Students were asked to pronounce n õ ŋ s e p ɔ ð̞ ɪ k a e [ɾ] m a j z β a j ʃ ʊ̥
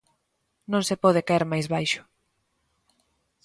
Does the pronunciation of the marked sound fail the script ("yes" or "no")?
no